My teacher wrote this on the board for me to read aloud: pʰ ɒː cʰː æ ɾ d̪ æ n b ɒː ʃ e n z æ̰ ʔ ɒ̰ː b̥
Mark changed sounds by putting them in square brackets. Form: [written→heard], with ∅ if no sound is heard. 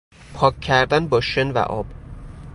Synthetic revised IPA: pʰ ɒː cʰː æ ɾ d̪ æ n b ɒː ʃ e n [z→v] æ̰ ʔ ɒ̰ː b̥

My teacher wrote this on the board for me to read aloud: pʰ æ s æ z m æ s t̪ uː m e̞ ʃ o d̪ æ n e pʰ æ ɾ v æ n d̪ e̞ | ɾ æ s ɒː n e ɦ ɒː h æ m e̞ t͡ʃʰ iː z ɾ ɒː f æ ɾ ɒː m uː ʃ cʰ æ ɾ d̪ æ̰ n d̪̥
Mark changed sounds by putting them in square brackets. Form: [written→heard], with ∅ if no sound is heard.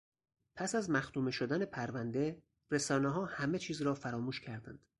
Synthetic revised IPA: pʰ æ s æ z m æ [s→x] t̪ uː m e̞ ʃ o d̪ æ n e pʰ æ ɾ v æ n d̪ e̞ | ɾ [æ→e] s ɒː n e ɦ ɒː h æ m e̞ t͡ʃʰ iː z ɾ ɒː f æ ɾ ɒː m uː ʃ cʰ æ ɾ d̪ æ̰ n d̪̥

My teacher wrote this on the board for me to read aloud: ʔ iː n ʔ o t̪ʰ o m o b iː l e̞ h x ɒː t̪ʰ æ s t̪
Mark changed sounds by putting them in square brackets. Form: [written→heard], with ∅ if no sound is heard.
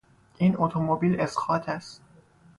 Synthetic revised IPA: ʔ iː n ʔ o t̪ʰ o m o b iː l e̞ [h→s] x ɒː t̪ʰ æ s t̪

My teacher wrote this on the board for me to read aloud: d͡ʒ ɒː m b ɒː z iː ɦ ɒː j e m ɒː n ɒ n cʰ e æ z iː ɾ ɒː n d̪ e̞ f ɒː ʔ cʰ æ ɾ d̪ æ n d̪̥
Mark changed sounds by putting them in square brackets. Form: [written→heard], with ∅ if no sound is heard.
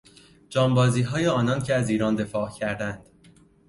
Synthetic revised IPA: d͡ʒ ɒː m b ɒː z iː ɦ ɒː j e [m→∅] ɒː n ɒ n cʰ e æ z iː ɾ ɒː n d̪ e̞ f ɒː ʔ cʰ æ ɾ d̪ æ n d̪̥

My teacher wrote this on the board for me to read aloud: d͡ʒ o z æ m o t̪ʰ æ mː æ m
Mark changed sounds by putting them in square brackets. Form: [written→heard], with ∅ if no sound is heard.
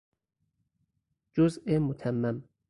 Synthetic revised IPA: d͡ʒ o z [æ→e] m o t̪ʰ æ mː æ m

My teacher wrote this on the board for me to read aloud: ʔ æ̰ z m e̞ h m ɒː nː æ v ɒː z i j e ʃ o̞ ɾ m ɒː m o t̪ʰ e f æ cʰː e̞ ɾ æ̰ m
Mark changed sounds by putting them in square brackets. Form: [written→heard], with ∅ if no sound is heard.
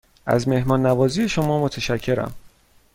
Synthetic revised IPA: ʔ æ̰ z m e̞ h m ɒː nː æ v ɒː z i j e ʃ o̞ [ɾ→∅] m ɒː m o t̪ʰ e [f→ʃ] æ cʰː e̞ ɾ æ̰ m

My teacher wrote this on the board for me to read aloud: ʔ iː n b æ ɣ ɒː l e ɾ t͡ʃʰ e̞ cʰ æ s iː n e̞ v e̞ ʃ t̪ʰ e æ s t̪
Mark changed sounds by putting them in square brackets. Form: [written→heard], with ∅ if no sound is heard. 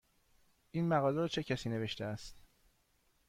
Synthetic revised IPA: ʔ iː n [b→m] æ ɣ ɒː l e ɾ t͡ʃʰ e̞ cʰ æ s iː n e̞ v e̞ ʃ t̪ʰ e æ s t̪

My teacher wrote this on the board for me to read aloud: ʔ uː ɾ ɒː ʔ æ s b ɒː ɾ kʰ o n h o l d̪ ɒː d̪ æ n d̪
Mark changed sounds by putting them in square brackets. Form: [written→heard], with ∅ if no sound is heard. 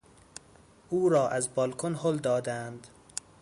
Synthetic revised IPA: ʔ uː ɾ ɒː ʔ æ [s→z] b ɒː [ɾ→l] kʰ o n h o l d̪ ɒː d̪ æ n d̪

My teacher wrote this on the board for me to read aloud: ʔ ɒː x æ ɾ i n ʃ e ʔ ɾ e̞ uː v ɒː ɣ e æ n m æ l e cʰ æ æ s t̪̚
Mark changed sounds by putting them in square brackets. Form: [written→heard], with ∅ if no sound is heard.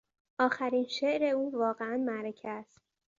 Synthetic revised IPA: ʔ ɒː x æ ɾ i n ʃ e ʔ ɾ e̞ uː v ɒː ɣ e æ n m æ [l→ɾ] e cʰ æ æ s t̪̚

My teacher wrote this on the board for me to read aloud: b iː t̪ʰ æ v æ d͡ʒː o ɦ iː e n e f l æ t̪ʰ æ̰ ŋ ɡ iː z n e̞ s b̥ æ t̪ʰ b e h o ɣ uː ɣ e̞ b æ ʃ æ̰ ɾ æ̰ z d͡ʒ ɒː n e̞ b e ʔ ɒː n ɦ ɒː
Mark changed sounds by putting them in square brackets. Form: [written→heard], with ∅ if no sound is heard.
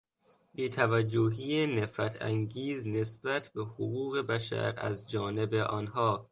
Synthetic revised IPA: b iː t̪ʰ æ v æ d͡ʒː o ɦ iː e n e f [l→ɾ] æ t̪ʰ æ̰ ŋ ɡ iː z n e̞ s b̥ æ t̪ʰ b e h o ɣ uː ɣ e̞ b æ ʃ æ̰ ɾ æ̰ z d͡ʒ ɒː n e̞ b e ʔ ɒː n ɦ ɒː

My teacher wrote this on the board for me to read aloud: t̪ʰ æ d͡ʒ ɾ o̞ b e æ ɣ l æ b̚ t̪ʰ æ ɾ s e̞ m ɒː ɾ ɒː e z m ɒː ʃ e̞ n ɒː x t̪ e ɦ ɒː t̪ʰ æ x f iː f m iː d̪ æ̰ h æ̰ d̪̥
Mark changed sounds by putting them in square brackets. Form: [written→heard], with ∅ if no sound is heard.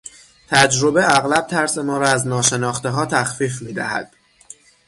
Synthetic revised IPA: t̪ʰ æ d͡ʒ ɾ o̞ b e æ ɣ l æ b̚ t̪ʰ æ ɾ s e̞ m ɒː ɾ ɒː [e→æ] z [m→n] ɒː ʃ e̞ n ɒː x t̪ e ɦ ɒː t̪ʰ æ x f iː f m iː d̪ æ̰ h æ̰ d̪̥

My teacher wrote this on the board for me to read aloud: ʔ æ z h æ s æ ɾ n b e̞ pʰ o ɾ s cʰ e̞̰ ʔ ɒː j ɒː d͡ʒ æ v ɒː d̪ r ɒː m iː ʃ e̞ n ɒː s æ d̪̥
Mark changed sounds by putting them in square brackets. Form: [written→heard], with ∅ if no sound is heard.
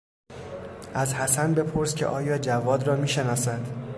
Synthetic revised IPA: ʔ æ z h æ s æ [ɾ→∅] n b e̞ pʰ o ɾ s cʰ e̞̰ ʔ ɒː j ɒː d͡ʒ æ v ɒː d̪ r ɒː m iː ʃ e̞ n ɒː s æ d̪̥

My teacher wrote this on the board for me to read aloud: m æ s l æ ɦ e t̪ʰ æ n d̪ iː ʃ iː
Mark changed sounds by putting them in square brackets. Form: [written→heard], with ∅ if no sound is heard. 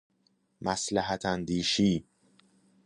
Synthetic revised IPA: m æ s l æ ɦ [e→æ] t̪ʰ æ n d̪ iː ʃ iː

